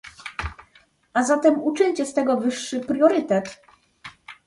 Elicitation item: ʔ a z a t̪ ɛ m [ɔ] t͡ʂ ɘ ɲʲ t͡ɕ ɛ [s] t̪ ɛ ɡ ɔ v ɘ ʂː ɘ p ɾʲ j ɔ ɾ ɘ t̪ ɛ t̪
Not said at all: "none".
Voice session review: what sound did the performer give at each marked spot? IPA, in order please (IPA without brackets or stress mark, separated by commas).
u, s